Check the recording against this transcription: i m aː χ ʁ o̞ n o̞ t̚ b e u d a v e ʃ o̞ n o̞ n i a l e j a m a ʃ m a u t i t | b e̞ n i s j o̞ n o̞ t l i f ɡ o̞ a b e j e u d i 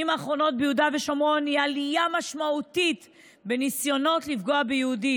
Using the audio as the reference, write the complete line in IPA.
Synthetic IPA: i m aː χ ʁ o̞ n o̞ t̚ b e u d a v e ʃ o̞ m o̞ n i a l i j a m a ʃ m a u t i t | b e̞ n i s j o̞ n o̞ t l i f ɡ o̞ a b e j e u d i